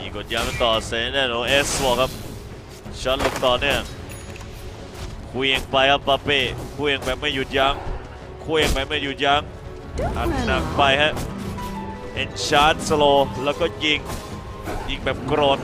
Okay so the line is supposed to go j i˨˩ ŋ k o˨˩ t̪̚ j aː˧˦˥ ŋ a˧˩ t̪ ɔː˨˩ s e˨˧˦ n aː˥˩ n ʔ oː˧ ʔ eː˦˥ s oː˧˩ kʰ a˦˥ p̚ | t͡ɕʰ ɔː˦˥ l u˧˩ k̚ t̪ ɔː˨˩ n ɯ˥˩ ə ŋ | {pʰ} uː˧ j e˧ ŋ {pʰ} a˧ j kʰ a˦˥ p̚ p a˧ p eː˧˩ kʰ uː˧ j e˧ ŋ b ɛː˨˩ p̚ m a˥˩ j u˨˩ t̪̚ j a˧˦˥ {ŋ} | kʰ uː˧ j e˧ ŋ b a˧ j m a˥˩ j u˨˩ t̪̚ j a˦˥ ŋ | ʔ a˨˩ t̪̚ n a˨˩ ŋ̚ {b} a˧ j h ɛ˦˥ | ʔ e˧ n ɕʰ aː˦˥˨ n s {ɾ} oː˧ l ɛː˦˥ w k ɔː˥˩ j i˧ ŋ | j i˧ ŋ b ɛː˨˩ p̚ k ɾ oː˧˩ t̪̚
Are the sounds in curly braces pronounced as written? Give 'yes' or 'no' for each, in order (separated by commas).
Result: no, no, yes, no, no